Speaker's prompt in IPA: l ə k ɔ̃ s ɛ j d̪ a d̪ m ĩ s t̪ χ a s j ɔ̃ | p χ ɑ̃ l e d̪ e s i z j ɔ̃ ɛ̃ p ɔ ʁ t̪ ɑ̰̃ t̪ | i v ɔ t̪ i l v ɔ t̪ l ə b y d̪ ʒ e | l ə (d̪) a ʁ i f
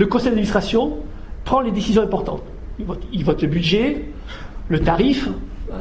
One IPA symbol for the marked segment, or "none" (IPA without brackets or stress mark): t̪